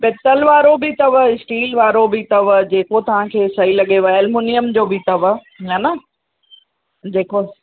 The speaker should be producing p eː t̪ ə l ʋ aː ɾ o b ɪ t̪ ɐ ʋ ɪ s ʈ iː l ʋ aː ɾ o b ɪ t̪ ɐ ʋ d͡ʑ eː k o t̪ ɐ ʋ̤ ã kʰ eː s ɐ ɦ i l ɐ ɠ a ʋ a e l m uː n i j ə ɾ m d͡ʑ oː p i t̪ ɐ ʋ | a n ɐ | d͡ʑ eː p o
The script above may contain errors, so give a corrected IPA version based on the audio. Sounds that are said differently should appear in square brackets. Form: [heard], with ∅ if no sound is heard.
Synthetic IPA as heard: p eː t̪ ə l ʋ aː ɾ o b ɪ t̪ ɐ ʋ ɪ s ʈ iː l ʋ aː ɾ o b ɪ t̪ ɐ ʋ d͡ʑ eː k o t̪ ɐ ʋ̤ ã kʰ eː s ɐ ɦ i l ɐ ɠ [e] ʋ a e l m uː n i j ə [∅] m d͡ʑ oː [b] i t̪ ɐ ʋ | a n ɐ | d͡ʑ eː [k] o